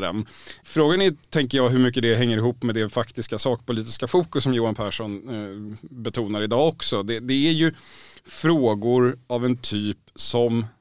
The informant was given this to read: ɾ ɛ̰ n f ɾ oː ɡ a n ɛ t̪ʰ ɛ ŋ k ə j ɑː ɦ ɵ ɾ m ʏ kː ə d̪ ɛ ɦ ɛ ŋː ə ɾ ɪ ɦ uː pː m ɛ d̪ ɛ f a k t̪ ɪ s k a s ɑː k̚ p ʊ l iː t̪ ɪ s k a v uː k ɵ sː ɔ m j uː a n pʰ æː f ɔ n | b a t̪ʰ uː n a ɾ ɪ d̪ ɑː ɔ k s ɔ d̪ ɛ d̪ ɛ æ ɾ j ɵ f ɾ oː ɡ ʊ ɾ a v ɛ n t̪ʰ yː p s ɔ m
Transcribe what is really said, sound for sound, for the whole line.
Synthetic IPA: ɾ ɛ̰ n f ɾ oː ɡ a n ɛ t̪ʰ ɛ ŋ k ə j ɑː ɦ ɵ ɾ m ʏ kː ə d̪ ɛ ɦ ɛ ŋː ə ɾ ɪ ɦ uː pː m ɛ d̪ ɛ f a k t̪ ɪ s k a s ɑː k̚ p ʊ l iː t̪ ɪ s k a f uː k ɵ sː ɔ m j uː a n pʰ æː ʂ ɔ n | b ɛ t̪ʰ uː n a ɾ ɪ d̪ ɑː ɔ k s ɔ d̪ ɛ d̪ ɛ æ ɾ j ɵ f ɾ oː ɡ ʊ ɾ a v ɛ n t̪ʰ yː p s ɔ m